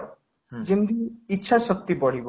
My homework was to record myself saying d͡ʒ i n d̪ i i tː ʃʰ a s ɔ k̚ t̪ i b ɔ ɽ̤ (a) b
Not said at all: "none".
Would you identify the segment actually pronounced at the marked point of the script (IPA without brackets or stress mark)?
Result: i